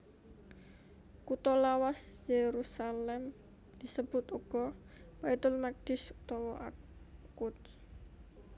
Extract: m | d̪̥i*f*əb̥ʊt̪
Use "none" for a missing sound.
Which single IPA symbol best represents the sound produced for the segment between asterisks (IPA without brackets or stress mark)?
s